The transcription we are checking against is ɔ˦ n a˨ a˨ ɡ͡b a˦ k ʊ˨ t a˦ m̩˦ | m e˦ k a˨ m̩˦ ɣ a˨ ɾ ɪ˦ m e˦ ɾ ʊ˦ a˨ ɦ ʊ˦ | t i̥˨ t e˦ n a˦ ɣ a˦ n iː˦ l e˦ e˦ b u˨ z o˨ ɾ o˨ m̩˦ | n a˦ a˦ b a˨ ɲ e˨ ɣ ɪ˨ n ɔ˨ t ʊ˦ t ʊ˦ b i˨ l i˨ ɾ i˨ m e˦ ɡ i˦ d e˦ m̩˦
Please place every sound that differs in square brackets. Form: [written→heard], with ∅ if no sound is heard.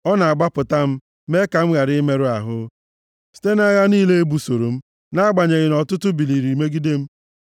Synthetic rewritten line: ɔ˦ n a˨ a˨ ɡ͡b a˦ [k→p] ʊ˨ t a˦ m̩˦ | m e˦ k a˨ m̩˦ ɣ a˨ ɾ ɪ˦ m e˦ ɾ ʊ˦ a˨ ɦ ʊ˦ | [t→s] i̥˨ t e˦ n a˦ ɣ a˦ n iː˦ l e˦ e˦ b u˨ [z→s] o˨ ɾ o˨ m̩˦ | n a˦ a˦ [b→ɡ͡b] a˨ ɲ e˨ ɣ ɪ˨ n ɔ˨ t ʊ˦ t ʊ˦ b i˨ l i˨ ɾ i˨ m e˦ ɡ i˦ d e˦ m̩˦